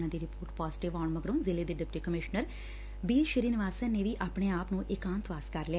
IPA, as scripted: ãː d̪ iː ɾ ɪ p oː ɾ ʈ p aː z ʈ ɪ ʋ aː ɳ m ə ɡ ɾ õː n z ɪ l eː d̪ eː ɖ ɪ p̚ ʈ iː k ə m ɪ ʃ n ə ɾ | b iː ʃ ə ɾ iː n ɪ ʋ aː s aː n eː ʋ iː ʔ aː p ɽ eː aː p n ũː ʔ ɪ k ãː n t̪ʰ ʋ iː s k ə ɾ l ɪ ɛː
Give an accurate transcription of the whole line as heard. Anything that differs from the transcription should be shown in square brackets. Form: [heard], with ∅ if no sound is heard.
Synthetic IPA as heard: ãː d̪ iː ɾ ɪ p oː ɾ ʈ p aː z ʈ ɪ ʋ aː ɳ m ə ɡ ɾ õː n z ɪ l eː d̪ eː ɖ ɪ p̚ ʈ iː k ə m ɪ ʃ n ə ɾ | b iː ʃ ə ɾ iː n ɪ ʋ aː s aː n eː ʋ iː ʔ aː p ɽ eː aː p n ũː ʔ ɪ k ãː n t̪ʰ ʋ [aː] s k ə ɾ l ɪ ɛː